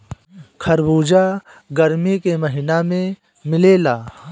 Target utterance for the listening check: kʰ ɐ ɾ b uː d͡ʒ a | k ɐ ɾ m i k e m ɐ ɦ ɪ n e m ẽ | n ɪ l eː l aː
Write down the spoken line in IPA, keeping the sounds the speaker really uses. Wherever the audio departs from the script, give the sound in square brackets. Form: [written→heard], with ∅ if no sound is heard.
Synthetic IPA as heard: kʰ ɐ ɾ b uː d͡ʒ a | [k→ɡ] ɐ ɾ m i k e m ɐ ɦ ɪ n [e→a] m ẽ | [n→m] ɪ l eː l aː